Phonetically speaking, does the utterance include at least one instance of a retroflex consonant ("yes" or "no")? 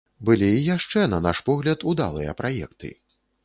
yes